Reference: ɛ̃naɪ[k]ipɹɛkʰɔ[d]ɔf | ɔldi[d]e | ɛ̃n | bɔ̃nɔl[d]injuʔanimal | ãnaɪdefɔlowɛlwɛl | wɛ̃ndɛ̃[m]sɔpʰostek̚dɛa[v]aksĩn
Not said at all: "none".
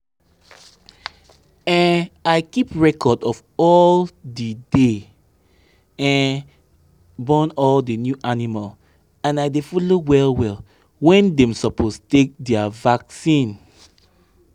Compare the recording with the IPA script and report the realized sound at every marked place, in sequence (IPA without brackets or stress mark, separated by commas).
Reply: k, d, d, d, m, v